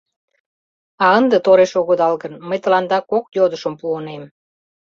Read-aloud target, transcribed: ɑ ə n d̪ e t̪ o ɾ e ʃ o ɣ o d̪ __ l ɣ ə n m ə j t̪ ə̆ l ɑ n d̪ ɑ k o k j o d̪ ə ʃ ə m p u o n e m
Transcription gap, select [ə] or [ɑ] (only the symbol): ɑ